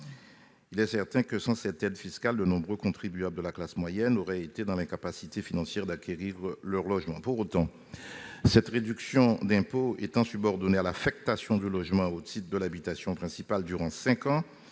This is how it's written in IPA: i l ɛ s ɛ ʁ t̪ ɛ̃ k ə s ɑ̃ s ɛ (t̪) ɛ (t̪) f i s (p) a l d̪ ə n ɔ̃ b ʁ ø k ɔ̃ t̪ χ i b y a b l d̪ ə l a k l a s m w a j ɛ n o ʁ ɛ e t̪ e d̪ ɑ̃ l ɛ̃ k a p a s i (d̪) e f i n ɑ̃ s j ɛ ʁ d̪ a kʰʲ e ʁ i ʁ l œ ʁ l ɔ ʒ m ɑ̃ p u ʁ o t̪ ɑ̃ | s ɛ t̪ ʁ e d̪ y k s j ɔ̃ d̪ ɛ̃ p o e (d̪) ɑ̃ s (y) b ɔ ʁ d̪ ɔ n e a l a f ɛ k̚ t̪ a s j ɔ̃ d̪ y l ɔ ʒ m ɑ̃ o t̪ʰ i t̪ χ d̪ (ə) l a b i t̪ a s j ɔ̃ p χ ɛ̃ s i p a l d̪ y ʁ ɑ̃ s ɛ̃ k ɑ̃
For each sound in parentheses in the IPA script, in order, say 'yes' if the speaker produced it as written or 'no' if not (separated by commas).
yes, no, no, no, no, yes, yes